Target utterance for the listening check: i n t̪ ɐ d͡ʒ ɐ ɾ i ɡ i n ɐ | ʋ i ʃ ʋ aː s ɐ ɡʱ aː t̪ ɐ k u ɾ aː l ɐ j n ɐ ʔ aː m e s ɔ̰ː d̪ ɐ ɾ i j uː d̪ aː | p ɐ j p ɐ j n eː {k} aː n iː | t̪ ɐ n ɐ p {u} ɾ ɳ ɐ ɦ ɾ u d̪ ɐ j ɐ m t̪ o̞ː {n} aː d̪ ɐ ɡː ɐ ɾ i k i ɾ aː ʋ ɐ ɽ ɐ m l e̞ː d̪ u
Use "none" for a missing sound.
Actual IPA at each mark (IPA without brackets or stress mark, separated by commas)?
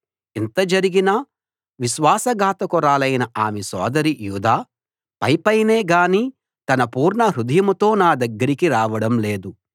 ɡ, uː, n